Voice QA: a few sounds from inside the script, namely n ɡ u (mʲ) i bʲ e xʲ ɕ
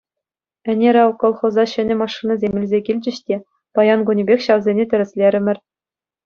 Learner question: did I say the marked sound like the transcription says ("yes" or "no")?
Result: no